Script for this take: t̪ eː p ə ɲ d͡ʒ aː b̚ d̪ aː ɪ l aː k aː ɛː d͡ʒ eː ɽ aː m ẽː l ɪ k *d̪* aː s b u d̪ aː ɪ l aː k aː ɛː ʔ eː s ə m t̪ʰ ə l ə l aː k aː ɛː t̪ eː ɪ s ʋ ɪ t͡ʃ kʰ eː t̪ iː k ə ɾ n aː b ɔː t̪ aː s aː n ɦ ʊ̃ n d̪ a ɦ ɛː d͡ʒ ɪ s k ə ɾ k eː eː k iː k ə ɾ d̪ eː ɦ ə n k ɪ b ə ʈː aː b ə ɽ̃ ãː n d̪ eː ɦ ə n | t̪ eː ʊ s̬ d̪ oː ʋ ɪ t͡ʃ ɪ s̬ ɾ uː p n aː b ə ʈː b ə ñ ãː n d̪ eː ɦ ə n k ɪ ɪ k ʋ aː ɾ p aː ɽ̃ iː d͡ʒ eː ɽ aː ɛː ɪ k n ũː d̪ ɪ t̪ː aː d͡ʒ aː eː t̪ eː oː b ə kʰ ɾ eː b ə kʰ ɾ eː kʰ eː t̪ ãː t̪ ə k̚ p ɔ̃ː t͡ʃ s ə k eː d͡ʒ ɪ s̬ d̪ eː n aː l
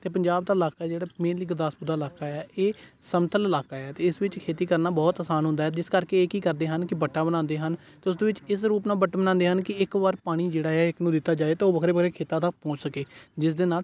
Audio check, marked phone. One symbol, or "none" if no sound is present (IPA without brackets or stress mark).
d̪